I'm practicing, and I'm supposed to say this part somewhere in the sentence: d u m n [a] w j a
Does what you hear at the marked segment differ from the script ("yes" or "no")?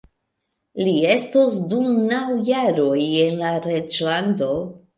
no